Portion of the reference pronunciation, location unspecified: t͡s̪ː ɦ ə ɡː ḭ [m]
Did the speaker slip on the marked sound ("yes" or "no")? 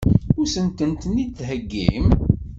no